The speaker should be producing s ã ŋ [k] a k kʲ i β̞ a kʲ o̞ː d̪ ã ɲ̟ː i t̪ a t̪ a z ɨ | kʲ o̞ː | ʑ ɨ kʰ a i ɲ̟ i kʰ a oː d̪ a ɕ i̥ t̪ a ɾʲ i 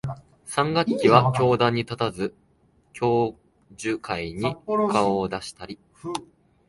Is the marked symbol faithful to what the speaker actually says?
no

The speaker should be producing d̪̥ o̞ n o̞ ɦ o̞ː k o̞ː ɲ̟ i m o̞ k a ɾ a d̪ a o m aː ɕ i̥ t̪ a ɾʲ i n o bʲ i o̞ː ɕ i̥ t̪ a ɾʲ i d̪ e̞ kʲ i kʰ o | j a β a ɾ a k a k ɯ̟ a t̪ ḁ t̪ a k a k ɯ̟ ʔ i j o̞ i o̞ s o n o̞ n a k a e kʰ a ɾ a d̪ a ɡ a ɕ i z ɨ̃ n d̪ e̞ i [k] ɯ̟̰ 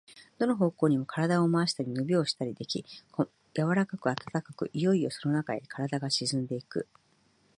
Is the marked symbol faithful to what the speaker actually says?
yes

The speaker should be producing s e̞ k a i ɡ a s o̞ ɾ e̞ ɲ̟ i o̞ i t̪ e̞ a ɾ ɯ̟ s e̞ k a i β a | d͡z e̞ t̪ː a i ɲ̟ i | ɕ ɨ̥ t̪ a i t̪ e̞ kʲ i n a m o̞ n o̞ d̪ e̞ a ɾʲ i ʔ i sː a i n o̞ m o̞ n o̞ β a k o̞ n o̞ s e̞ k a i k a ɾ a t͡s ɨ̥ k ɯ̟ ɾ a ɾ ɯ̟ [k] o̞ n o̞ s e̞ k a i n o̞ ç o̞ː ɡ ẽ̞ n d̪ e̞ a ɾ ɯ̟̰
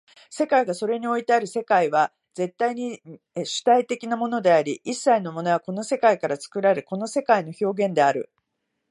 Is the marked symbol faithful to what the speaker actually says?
yes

